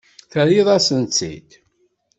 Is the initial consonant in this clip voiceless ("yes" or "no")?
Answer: yes